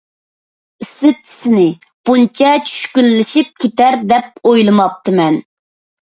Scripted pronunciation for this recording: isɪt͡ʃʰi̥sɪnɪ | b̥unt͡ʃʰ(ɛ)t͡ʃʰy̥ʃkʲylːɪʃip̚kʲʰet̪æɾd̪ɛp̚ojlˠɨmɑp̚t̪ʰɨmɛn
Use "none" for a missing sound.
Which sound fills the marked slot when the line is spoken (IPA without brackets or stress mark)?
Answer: ɛ